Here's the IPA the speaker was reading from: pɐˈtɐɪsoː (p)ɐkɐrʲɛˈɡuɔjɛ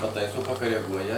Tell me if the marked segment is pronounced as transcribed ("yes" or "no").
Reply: yes